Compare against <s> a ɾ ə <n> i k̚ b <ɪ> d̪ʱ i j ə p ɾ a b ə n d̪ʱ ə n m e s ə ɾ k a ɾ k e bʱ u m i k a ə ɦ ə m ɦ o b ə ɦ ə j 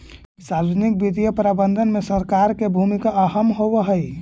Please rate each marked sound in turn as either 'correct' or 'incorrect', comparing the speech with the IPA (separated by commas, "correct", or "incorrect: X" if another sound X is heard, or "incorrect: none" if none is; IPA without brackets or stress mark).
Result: correct, correct, incorrect: i